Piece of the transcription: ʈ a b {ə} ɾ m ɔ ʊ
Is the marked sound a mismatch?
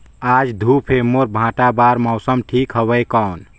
yes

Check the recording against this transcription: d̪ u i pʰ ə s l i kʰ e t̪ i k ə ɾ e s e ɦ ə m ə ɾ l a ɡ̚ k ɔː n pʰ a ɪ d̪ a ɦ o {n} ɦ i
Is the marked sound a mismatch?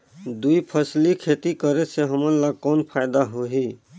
yes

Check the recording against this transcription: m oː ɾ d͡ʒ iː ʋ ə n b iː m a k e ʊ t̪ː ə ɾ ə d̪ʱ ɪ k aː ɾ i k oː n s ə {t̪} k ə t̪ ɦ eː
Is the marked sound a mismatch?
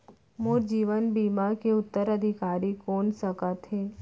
yes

